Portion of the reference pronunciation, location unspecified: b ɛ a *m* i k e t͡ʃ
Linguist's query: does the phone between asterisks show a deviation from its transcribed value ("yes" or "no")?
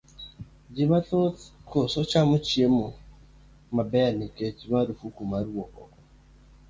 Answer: yes